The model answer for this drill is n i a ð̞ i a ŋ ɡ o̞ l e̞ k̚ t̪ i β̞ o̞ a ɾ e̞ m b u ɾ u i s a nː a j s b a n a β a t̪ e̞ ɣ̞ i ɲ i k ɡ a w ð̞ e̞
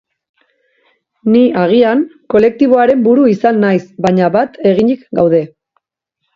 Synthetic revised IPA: n i a ɣ̞ i a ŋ k o̞ l e̞ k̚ t̪ i β̞ o̞ a ɾ e̞ m b u ɾ u i s a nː a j s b a ɲ a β a t̪ e̞ ɣ̞ i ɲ i k ɡ a w ð̞ e̞